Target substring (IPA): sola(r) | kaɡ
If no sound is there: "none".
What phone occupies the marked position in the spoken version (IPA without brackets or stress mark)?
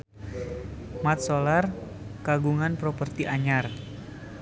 r